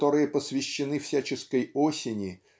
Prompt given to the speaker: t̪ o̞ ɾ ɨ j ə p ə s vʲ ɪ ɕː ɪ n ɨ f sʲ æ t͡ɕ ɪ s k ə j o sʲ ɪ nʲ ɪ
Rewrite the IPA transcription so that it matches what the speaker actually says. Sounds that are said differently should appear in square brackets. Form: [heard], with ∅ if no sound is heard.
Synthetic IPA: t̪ o̞ ɾ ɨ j ə p ə s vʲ ɪ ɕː ɪ n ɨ f sʲ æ t͡ɕ ɪ s k ə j o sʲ ɪ nʲ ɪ